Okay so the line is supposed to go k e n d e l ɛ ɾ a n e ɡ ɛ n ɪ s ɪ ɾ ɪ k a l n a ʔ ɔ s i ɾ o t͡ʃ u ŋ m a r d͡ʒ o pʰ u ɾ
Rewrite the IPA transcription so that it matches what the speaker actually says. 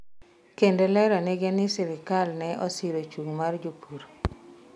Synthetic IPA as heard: k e n d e l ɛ ɾ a n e ɡ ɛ n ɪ s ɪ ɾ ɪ k a l n ɛ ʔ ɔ s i ɾ o t͡ʃ u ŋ m a r d͡ʒ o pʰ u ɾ